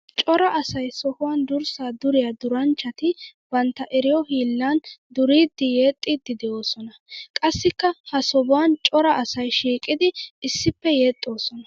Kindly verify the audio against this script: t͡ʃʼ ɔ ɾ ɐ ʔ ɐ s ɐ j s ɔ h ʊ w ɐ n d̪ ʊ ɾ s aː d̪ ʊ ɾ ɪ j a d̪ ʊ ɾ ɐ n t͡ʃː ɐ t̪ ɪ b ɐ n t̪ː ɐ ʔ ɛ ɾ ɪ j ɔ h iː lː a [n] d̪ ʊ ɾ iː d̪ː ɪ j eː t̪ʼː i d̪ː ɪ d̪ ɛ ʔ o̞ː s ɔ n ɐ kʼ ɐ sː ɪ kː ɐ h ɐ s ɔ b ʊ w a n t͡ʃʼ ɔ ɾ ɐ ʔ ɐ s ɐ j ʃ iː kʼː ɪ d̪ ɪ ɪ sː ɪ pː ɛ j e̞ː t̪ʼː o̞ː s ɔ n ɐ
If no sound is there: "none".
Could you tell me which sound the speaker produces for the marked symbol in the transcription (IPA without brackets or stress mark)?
n